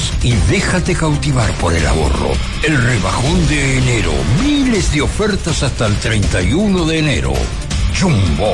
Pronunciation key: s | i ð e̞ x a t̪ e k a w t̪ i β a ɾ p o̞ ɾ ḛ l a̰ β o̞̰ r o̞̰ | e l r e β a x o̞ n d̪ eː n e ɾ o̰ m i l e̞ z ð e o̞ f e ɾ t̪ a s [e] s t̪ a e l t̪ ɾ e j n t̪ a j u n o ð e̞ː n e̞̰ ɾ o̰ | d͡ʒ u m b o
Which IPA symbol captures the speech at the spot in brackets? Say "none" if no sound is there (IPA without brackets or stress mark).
a